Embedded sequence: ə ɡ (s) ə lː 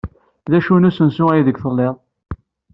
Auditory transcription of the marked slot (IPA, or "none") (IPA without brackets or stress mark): θ